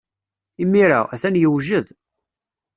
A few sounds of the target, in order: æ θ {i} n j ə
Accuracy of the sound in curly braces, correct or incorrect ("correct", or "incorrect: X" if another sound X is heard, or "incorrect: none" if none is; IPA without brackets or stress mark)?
incorrect: æ